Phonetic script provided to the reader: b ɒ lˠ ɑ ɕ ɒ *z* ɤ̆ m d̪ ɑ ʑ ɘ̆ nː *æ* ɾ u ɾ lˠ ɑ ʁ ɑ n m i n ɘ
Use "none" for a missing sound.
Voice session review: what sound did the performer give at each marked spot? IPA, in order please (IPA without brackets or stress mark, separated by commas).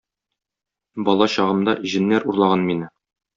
ʁ, æ